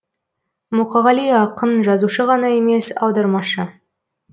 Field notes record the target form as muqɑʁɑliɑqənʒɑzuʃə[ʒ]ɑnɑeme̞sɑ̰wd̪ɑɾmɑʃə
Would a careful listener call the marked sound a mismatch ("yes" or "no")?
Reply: yes